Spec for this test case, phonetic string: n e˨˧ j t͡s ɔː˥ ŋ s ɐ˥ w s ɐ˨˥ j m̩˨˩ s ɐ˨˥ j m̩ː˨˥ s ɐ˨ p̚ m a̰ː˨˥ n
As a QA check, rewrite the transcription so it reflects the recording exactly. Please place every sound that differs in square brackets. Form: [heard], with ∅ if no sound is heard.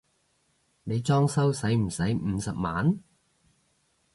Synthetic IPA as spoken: n e˨˧ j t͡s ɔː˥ ŋ s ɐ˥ w s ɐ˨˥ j m̩˨˩ s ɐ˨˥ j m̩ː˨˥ s ɐ˨ p̚ m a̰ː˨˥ n